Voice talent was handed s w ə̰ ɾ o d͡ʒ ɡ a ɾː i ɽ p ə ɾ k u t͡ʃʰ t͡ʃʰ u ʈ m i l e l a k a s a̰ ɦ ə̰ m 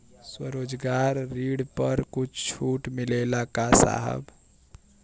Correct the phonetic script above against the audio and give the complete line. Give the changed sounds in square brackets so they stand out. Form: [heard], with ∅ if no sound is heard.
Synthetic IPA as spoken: s w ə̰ ɾ o d͡ʒ ɡ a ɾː i ɽ p ə ɾ k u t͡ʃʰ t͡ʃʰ u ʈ m i l e l a k a s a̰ ɦ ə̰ [b]